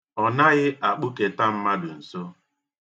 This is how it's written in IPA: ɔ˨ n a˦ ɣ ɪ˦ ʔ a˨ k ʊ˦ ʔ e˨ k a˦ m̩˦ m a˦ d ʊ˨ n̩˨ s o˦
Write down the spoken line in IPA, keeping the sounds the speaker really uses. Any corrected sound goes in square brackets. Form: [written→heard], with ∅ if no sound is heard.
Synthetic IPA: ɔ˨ n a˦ ɣ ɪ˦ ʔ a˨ [k→k͡p] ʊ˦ [ʔ→k] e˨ [k→t] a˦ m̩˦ m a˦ d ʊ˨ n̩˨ s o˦